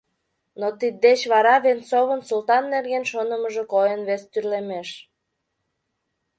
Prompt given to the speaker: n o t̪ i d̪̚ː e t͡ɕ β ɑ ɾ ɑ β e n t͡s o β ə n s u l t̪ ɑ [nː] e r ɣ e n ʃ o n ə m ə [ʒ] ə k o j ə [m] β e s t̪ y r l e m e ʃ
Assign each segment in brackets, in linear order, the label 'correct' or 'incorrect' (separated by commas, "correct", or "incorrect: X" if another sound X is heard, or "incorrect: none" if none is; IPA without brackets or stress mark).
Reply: correct, correct, incorrect: n